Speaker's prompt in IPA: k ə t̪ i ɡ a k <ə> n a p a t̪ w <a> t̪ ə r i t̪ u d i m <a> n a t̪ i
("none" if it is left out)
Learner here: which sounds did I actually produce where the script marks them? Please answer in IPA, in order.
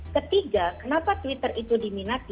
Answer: ə, i, i

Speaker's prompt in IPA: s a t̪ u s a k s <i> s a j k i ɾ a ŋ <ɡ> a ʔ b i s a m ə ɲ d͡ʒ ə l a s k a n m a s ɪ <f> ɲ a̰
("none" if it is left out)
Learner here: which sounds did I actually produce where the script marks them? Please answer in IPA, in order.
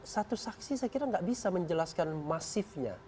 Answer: i, ɡ, f

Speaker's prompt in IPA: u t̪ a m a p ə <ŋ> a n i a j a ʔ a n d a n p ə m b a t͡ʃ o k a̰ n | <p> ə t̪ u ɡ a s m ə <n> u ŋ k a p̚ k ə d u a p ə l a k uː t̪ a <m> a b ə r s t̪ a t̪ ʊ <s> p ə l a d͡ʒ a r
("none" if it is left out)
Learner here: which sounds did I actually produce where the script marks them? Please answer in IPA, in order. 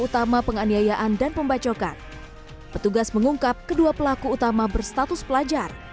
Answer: ŋ, p, ŋ, m, s

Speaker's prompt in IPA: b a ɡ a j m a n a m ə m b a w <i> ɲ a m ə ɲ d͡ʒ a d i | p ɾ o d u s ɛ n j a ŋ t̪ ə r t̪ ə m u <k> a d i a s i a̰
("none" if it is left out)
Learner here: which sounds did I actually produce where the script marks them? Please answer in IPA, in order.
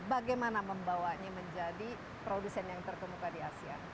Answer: a, k

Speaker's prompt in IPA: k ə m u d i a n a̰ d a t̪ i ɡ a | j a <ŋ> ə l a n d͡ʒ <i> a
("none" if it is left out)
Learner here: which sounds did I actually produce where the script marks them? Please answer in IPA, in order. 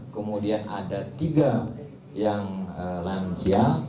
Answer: ŋ, i

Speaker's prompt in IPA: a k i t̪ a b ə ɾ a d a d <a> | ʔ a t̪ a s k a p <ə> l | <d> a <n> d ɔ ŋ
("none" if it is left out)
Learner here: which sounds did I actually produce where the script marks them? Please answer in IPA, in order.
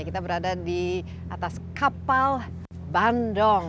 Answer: i, a, b, n

